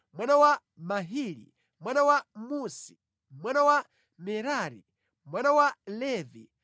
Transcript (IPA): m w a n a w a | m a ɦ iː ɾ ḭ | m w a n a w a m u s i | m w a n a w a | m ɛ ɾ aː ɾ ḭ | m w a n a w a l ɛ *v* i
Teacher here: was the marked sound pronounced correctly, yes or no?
yes